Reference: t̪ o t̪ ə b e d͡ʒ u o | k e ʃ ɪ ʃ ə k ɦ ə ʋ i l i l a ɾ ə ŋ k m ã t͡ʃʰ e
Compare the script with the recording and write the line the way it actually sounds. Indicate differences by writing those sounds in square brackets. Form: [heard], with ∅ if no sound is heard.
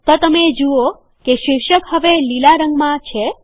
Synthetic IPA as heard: t̪ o t̪ ə [m] e d͡ʒ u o | k e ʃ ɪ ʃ ə k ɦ ə ʋ [e] l i l a ɾ ə ŋ [ɡ] m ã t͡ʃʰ e